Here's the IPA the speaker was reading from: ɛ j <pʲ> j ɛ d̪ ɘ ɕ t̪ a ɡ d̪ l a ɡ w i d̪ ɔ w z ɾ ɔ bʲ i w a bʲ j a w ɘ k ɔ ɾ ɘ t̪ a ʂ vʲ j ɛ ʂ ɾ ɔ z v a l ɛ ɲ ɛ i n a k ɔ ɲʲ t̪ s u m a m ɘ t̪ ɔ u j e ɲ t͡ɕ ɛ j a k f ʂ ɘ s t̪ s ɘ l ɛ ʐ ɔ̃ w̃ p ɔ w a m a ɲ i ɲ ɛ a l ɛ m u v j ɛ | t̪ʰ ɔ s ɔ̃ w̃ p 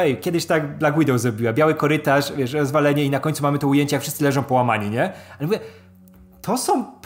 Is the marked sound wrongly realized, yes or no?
yes